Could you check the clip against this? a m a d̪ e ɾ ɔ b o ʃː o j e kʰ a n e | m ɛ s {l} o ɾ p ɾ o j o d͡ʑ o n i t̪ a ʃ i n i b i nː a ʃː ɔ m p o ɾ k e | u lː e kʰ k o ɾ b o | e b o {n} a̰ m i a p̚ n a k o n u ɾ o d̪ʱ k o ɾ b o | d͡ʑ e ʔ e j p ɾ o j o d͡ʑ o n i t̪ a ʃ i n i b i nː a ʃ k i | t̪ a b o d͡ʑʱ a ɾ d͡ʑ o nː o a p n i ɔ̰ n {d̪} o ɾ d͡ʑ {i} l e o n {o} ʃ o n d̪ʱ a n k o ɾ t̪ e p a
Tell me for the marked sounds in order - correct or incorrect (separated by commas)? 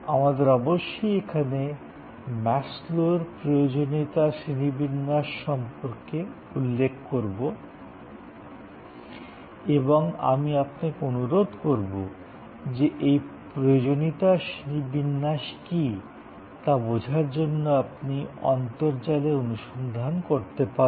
correct, incorrect, incorrect, incorrect, incorrect